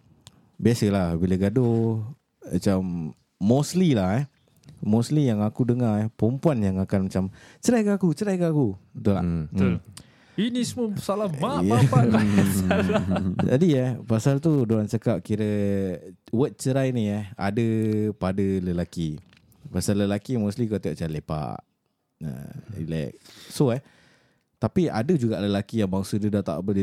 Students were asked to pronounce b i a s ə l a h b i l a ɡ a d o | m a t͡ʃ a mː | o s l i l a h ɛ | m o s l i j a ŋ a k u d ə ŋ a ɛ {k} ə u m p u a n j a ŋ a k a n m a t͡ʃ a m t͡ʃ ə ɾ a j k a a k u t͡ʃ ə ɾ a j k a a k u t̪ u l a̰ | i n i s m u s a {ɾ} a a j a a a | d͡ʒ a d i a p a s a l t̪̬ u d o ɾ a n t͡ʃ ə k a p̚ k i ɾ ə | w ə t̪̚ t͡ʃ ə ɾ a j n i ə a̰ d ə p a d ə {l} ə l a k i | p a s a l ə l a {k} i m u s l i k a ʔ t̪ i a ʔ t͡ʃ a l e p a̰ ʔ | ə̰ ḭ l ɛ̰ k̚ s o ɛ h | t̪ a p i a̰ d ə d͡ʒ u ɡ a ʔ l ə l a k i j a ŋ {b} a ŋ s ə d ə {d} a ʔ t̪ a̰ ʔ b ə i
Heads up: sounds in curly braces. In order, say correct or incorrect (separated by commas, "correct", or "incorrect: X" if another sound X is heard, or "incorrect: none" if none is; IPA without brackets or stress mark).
incorrect: p, incorrect: l, correct, correct, correct, correct